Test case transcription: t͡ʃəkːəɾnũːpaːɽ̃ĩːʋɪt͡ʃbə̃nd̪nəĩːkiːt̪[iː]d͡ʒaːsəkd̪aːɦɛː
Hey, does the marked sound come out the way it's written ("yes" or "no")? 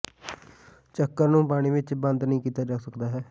no